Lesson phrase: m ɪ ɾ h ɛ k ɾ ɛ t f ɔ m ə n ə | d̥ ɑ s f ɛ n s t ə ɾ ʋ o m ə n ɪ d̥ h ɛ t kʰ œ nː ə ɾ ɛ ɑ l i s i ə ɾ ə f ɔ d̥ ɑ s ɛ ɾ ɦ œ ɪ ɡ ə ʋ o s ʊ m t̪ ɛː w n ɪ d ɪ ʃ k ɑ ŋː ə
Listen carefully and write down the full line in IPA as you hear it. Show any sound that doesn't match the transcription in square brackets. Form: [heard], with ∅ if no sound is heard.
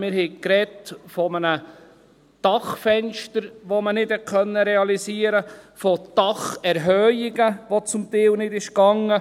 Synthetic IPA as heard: m ɪ ɾ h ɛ k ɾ ɛ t f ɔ m ə n ə | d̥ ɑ [χ] f ɛ n [ʃ] t ə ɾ ʋ o m ə n ɪ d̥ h ɛ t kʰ œ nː ə ɾ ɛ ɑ l i s i ə ɾ ə f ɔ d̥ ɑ [χ] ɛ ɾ ɦ œ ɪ ɡ ə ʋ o [t͡s] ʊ m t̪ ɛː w n ɪ d ɪ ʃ k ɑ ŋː ə